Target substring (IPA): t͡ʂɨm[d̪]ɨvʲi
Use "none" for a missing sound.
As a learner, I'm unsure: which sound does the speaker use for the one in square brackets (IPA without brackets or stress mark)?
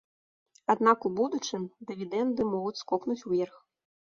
d̪